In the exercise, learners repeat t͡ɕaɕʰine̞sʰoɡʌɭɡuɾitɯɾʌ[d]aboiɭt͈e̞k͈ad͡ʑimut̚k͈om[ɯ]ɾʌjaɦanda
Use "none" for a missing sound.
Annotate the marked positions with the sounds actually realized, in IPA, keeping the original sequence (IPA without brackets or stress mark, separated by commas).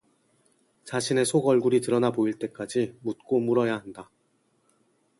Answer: n, u